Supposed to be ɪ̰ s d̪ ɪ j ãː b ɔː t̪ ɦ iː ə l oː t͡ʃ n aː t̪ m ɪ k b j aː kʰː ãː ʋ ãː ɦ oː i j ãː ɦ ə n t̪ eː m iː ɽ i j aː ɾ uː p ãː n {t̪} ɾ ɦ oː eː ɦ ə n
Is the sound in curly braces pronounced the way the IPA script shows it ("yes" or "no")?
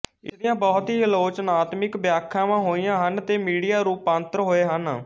yes